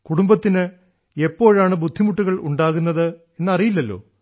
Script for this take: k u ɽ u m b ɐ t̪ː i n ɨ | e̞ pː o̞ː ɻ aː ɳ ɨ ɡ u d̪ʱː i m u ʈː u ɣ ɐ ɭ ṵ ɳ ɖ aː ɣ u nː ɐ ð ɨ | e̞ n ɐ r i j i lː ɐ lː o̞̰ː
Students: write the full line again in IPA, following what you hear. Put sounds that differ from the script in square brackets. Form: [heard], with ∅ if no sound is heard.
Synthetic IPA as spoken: k u ɽ u m b ɐ t̪ː i n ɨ | e̞ pː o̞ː ɻ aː ɳ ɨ [b] u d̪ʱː i m u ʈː u ɣ ɐ ɭ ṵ ɳ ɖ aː ɣ u nː ɐ ð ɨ | e̞ [nː] ɐ r i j i lː ɐ lː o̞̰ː